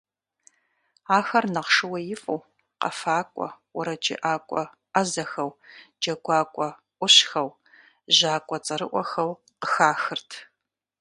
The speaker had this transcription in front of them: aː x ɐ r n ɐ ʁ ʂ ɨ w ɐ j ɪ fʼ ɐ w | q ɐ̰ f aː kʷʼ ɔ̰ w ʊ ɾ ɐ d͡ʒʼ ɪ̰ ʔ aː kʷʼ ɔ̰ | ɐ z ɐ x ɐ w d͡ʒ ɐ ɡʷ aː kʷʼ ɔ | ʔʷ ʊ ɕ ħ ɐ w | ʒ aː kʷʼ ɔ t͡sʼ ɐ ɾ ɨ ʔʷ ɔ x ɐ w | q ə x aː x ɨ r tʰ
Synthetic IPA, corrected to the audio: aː x ɐ r n ɐ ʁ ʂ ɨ w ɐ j ɪ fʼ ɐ w | q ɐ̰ f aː kʷʼ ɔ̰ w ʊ ɾ ɐ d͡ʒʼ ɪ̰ ʔ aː kʷʼ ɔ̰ | ɐ z ɐ x ɐ w d͡ʒ ɐ ɡʷ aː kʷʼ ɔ | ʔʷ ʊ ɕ x ɐ w | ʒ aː kʷʼ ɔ t͡sʼ ɐ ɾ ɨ ʔʷ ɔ x ɐ w | q ə x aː x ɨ r tʰ